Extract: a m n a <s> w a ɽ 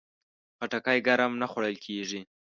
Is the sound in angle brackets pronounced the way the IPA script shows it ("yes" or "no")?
no